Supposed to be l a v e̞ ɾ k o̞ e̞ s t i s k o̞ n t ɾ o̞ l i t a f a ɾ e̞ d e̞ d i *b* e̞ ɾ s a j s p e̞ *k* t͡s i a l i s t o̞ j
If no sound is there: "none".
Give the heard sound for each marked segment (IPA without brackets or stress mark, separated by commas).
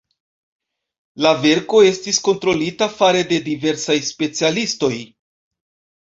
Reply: v, none